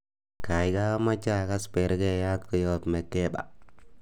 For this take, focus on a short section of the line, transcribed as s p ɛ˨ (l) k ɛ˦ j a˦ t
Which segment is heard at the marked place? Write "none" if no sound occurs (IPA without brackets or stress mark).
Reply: ɾ